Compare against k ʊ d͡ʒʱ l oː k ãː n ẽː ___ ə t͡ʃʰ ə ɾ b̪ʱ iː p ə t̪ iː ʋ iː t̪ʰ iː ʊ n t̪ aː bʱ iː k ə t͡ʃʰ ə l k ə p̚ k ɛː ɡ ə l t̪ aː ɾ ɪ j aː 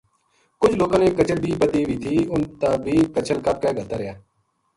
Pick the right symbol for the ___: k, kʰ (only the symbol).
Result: k